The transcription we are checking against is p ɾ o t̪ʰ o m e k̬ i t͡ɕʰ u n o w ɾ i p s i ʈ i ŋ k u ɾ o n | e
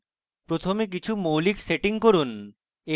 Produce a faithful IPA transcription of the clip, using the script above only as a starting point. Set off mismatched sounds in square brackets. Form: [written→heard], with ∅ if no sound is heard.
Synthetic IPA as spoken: p ɾ o t̪ʰ o m e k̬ i t͡ɕʰ u [n→m] o w [ɾ→l] i [p→k] s [i→e] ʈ i ŋ k [u→o] ɾ [o→u] n | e